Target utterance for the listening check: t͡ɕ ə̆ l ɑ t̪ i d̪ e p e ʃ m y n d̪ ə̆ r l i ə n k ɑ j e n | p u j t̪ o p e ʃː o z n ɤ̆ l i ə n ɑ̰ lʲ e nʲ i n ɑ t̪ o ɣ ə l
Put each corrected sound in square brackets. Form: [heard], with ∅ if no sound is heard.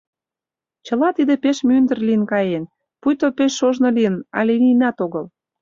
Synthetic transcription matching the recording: t͡ɕ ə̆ l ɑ t̪ i d̪ e p e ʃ m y n d̪ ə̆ r l i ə n k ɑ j e n | p u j t̪ o p e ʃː o [ʒ] n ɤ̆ l i ə n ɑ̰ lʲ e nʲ i n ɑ t̪ o ɣ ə l